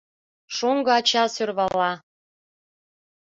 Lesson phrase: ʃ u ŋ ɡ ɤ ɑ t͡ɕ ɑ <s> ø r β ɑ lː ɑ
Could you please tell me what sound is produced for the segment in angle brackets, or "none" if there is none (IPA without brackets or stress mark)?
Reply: s